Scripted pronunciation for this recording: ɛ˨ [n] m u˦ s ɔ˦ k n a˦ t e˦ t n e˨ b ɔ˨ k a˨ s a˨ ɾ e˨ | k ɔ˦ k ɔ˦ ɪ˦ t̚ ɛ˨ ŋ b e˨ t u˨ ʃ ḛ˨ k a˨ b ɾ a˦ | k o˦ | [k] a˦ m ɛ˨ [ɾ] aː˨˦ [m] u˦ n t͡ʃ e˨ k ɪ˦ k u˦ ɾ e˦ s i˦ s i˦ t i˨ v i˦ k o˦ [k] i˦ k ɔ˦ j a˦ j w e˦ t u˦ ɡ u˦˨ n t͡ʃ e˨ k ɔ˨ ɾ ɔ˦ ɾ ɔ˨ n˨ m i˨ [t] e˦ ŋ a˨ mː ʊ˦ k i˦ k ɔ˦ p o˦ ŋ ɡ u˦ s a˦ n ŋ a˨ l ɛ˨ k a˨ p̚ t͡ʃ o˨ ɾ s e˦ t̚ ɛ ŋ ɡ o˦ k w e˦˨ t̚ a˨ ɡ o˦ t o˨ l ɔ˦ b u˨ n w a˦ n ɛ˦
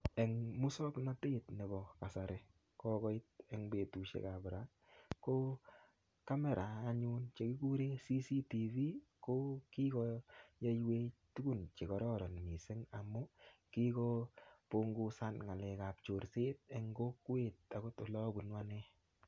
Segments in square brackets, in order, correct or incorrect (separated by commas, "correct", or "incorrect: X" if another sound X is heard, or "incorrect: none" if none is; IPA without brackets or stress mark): incorrect: ŋ, correct, correct, incorrect: ɲ, correct, incorrect: s